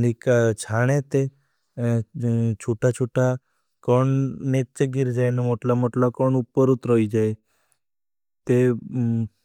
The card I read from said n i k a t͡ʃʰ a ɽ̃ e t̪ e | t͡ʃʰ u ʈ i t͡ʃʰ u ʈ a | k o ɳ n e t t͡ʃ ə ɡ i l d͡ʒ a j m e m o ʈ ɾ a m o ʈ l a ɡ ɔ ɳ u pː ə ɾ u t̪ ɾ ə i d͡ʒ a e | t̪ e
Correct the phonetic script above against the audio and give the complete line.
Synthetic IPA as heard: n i k a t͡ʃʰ a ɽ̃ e t̪ e | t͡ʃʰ u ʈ a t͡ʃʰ u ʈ a | k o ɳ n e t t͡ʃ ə ɡ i ɾ d͡ʒ a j n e m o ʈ l a m o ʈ l a k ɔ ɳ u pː ə ɾ u t̪ ɾ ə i d͡ʒ a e | t̪ e